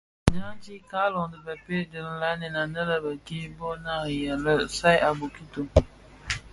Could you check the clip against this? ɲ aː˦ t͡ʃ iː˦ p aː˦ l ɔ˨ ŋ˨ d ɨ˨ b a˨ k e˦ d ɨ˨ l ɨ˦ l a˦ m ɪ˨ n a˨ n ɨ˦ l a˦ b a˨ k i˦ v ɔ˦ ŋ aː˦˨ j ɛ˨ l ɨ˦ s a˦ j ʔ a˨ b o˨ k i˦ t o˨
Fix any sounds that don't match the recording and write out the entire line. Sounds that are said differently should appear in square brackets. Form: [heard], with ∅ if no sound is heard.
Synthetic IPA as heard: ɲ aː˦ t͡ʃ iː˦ [k] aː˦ l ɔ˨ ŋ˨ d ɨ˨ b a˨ [p] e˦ d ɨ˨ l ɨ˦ l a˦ [n] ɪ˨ n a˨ n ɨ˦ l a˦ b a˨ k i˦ [b] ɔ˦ [n] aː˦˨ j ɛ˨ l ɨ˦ s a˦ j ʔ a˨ b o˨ k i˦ t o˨